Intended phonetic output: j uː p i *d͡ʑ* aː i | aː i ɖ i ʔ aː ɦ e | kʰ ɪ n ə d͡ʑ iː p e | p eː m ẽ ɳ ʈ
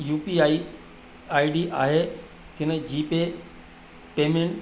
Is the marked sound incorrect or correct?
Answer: incorrect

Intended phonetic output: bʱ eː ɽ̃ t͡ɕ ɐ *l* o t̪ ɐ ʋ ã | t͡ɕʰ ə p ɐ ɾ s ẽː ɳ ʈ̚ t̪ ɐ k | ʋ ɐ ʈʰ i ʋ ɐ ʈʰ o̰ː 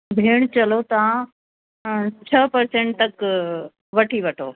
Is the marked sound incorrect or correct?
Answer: correct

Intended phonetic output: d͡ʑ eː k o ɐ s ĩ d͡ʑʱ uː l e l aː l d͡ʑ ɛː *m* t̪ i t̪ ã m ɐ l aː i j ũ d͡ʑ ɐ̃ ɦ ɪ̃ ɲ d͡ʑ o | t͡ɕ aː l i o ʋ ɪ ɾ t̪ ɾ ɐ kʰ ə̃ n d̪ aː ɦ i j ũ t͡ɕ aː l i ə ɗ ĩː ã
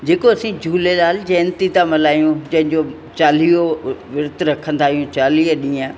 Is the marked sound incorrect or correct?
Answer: incorrect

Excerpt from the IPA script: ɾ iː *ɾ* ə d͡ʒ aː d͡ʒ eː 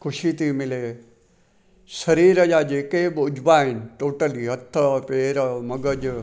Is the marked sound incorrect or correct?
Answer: correct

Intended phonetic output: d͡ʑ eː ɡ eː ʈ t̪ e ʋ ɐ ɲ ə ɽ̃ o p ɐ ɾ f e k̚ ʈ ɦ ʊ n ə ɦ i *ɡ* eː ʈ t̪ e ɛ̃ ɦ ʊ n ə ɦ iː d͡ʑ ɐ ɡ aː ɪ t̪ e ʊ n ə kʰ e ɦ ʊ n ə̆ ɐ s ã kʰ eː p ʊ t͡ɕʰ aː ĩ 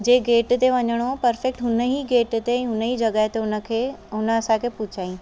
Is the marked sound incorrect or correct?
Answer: correct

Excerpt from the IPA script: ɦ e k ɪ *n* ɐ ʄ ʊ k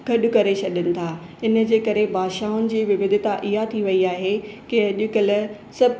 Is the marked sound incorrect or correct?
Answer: incorrect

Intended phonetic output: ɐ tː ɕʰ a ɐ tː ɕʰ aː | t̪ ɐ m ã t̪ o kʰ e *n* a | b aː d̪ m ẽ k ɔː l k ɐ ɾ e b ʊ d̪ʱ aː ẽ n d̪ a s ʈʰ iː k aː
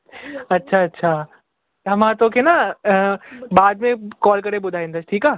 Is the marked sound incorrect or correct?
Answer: correct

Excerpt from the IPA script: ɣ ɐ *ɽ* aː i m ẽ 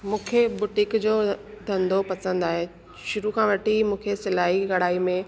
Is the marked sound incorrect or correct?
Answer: correct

